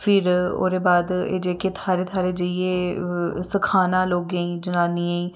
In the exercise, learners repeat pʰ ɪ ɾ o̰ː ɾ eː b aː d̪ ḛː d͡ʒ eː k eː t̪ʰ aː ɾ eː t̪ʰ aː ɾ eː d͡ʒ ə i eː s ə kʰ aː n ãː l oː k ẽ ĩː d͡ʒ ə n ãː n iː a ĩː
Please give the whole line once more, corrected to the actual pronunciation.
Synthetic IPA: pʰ ɪ ɾ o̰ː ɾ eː b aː d̪ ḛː d͡ʒ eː k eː t̪ʰ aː ɾ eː t̪ʰ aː ɾ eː d͡ʒ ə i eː s ə kʰ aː n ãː l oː ɡ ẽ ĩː d͡ʒ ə n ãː n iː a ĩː